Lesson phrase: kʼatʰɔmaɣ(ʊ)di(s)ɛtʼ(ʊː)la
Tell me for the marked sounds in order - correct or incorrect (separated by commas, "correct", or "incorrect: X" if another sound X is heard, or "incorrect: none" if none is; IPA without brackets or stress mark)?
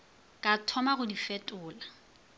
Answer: correct, incorrect: f, correct